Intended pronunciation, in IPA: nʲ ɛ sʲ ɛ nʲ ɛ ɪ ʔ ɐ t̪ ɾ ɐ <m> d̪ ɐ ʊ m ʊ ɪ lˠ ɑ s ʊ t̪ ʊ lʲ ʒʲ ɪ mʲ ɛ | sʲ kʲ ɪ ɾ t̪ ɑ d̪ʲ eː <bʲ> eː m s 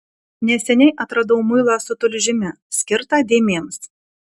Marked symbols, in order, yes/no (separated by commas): no, no